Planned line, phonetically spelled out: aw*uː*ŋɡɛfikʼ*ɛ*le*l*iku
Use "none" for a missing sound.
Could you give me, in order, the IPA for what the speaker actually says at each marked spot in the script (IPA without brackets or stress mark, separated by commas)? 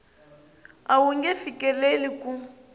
u, ɛ, l